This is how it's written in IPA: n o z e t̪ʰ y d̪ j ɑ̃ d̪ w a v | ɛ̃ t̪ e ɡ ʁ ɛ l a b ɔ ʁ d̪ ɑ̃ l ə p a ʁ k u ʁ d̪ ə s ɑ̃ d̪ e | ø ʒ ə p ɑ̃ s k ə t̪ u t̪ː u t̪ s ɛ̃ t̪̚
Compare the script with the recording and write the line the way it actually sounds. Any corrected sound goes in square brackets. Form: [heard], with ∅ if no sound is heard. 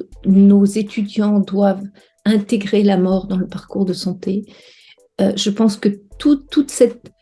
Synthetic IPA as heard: n o z e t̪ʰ y d̪ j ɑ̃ d̪ w a v | ɛ̃ t̪ e ɡ ʁ [e] l a [m] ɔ ʁ d̪ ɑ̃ l ə p a ʁ k u ʁ d̪ ə s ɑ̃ [t̪] e | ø ʒ ə p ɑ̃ s k ə t̪ u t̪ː u t̪ s [ɛ] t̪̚